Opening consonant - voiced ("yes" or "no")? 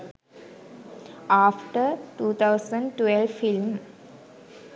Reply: no